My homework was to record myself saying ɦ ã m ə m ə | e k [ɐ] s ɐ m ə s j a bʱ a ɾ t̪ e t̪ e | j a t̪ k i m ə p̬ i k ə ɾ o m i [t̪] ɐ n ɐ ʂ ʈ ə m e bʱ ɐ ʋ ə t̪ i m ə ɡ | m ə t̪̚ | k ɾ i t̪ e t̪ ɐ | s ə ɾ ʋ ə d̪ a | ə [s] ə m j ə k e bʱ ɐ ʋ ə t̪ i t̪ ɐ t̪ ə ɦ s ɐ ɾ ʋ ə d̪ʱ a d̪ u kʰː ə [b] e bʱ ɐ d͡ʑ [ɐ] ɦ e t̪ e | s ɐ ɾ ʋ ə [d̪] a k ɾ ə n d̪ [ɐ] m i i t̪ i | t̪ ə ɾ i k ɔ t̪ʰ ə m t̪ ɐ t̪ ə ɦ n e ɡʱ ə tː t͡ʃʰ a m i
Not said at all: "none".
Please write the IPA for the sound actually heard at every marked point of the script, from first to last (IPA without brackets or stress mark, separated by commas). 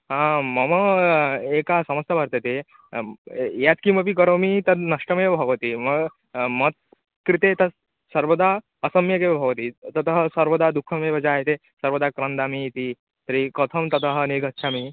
a, t̪, s, m, a, d̪, a